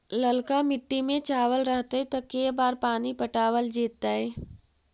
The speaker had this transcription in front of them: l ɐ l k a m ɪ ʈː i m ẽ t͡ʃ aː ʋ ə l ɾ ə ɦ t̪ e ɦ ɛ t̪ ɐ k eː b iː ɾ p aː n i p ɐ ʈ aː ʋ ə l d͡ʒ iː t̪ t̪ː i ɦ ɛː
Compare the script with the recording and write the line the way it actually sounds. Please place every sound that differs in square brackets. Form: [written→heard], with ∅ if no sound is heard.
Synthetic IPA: l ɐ l k a m ɪ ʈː i m ẽ t͡ʃ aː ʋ ə l ɾ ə ɦ t̪ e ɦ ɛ t̪ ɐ k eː b [iː→aː] ɾ p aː n i p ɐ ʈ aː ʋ ə l d͡ʒ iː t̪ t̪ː [i→a] ɦ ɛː